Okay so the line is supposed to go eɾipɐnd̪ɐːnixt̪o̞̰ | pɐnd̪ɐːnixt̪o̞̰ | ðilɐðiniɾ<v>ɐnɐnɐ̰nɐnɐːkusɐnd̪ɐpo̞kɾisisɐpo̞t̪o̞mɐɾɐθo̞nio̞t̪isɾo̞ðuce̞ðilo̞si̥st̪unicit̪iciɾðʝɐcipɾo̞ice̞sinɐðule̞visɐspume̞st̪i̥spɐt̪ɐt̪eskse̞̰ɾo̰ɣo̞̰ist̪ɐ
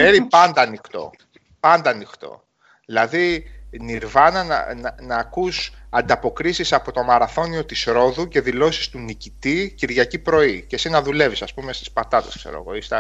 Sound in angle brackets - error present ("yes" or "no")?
no